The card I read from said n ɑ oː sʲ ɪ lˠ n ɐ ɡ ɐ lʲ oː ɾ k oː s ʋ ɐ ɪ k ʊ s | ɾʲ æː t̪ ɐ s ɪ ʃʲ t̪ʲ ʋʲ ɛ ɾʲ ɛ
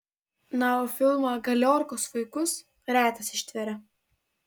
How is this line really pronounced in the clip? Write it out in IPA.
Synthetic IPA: n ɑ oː fʲ ɪ lˠ m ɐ ɡ ɐ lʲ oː ɾ k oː s ʋ ɐ ɪ k ʊ s | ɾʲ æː t̪ ɐ s ɪ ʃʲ t̪ʲ ʋʲ ɛ ɾʲ ɛ